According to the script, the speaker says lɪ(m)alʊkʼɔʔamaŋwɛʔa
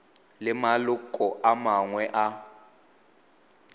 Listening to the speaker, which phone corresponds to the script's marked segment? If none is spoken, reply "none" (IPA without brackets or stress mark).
m